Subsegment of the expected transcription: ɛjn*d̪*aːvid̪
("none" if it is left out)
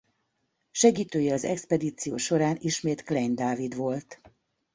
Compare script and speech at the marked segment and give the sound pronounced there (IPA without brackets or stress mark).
d̪